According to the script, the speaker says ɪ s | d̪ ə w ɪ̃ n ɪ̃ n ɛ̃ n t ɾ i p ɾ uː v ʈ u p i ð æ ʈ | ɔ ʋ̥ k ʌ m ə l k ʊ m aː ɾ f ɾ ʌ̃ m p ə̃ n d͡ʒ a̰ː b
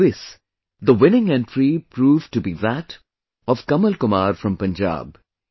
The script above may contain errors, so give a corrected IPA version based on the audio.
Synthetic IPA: ɪ s | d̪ ə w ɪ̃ n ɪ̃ ŋ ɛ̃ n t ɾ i p ɾ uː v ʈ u b i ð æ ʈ | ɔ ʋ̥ k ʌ m ə l k ʊ m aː ɾ f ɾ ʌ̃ m p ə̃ n d͡ʒ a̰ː b